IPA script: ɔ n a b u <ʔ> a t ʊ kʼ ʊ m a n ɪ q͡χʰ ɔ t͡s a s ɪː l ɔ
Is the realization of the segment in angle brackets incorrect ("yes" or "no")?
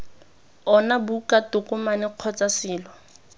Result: yes